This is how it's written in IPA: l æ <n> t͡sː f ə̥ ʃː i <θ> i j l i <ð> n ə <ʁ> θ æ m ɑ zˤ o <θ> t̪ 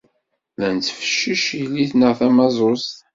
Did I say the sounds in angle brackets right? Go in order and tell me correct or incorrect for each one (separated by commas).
correct, incorrect, incorrect, correct, incorrect